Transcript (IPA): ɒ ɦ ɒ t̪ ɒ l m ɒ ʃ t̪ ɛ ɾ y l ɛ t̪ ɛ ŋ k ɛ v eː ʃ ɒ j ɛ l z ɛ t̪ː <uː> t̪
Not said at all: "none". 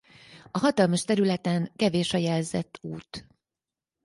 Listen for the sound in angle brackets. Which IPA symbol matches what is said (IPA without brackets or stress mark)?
uː